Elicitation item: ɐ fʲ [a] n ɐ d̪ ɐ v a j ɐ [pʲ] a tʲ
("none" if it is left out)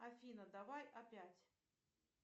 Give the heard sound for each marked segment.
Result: i, pʲ

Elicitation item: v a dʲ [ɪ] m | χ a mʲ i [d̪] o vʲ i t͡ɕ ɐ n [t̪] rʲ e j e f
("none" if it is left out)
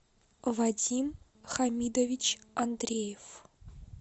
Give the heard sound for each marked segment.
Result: i, d̪, d̪

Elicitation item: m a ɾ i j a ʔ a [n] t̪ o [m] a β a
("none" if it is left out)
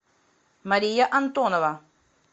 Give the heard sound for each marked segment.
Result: n, n

